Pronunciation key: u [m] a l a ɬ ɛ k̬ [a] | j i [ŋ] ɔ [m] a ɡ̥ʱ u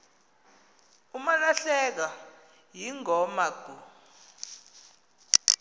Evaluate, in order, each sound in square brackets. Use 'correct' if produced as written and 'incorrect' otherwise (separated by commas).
correct, correct, correct, correct